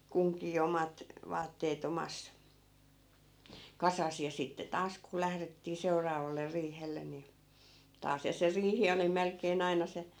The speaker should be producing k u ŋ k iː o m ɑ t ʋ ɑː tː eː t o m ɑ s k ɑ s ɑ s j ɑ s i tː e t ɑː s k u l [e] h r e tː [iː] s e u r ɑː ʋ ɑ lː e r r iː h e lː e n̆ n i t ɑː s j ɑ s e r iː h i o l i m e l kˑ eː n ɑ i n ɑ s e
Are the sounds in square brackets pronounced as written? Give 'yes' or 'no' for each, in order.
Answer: no, yes

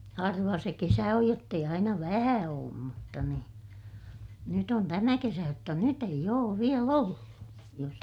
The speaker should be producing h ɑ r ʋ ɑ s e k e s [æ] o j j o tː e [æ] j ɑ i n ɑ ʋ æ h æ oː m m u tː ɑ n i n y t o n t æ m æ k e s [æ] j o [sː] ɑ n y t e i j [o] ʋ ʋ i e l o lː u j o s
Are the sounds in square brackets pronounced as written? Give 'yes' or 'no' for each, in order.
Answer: yes, no, yes, no, no

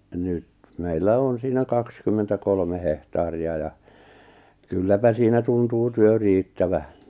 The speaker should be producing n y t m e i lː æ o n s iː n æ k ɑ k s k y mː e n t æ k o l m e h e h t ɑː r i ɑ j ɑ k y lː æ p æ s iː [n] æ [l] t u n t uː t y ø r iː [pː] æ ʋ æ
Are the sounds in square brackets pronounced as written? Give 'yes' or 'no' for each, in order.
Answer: yes, no, no

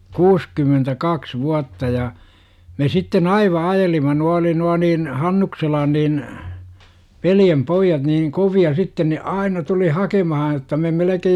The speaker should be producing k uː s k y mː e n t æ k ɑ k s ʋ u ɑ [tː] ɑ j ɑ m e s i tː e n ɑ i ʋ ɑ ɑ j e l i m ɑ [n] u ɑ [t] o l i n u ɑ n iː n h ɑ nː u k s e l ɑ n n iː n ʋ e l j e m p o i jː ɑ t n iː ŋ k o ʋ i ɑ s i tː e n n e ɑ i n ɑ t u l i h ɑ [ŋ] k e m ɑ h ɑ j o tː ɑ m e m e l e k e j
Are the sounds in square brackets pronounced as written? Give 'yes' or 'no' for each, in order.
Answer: yes, yes, no, no

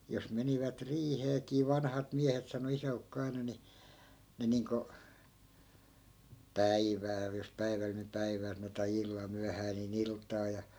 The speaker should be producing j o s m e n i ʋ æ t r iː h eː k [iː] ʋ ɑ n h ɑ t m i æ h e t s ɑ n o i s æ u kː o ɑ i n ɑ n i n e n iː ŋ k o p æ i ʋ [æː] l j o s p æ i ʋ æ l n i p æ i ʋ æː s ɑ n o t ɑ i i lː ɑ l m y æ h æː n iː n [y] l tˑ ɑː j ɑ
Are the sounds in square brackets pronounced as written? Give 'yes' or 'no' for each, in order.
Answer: yes, yes, no

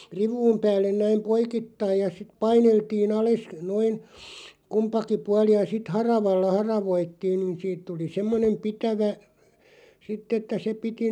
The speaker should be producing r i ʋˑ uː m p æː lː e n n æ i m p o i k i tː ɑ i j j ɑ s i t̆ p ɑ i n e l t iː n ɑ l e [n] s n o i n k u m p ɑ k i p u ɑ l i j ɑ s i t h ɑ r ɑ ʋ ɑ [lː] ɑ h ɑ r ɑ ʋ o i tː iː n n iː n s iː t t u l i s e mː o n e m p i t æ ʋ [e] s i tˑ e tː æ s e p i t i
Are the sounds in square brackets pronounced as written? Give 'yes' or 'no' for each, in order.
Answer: no, yes, no

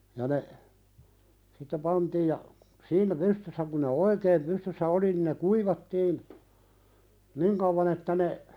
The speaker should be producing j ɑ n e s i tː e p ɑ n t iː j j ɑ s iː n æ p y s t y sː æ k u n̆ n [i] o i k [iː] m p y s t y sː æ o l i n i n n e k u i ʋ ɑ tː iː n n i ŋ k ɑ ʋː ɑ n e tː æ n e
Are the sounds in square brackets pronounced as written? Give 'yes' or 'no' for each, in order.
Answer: no, no

